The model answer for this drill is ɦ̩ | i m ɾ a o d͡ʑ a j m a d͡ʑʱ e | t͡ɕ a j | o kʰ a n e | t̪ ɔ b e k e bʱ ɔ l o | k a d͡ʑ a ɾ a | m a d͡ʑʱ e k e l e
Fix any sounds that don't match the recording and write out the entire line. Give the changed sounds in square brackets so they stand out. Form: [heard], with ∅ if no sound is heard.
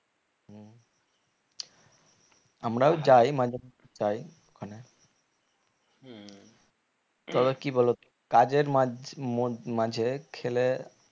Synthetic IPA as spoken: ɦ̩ | [a] m ɾ a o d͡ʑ a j m a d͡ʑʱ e | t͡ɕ a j | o kʰ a n e | t̪ ɔ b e k [i] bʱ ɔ l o | k a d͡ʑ [e] ɾ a | m a d͡ʑʱ e [kʰ] e l e

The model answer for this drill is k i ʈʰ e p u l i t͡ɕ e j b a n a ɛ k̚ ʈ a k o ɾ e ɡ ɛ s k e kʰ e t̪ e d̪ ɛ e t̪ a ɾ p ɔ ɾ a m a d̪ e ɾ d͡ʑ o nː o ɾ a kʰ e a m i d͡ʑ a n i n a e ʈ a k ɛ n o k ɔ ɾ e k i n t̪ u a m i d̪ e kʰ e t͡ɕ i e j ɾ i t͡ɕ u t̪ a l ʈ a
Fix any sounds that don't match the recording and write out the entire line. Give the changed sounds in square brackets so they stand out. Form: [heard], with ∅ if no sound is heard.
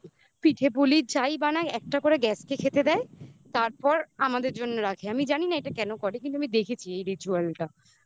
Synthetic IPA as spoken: [p] i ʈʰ e p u l i t͡ɕ [a] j b a n a ɛ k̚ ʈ a k o ɾ e ɡ ɛ s k e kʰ e t̪ e d̪ ɛ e t̪ a ɾ p ɔ ɾ a m a d̪ e ɾ d͡ʑ o nː o ɾ a kʰ e a m i d͡ʑ a n i n a e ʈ a k ɛ n o k ɔ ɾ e k i n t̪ u a m i d̪ e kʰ e [t͡ɕʰ] i e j ɾ i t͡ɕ u [∅] a l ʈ a

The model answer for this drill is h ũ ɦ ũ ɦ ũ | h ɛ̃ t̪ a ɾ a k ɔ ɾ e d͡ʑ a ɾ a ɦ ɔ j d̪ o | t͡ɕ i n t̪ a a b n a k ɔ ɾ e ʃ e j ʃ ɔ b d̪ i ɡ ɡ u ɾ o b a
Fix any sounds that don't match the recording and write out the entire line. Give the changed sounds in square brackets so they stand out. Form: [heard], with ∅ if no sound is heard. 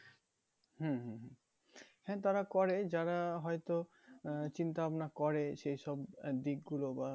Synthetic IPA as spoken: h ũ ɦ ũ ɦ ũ | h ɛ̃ t̪ a ɾ a k ɔ ɾ e d͡ʑ a ɾ a ɦ ɔ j [t̪] o | t͡ɕ i n t̪ a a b n a k ɔ ɾ e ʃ e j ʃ ɔ b d̪ i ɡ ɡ u [l] o b a

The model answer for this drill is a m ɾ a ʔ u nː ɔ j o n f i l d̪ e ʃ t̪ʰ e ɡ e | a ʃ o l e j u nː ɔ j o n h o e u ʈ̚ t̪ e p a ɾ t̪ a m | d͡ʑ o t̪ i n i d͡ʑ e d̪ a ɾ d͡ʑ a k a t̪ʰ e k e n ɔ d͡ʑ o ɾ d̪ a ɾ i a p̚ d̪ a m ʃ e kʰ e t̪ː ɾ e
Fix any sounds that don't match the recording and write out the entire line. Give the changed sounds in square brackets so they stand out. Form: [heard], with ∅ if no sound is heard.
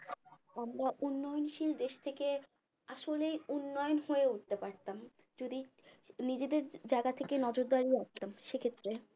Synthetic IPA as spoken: a m ɾ a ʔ u nː ɔ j o n [ʃ] i l d̪ e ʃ t̪ʰ e [k] e | a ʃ o l e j u nː ɔ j o n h o e u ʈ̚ t̪ e p a ɾ t̪ a m | d͡ʑ o [d̪] i n i d͡ʑ e d̪ [e] ɾ d͡ʑ a [ɡ] a t̪ʰ e k e n ɔ d͡ʑ o ɾ d̪ a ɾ i a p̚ [t̪] a m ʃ e kʰ e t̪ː ɾ e

